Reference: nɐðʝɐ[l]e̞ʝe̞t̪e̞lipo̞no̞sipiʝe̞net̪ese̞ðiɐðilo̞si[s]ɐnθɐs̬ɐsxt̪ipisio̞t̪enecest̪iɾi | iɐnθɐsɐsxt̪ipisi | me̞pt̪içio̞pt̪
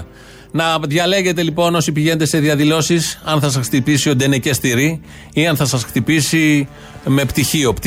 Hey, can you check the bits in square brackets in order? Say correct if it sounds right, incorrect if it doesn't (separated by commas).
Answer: correct, correct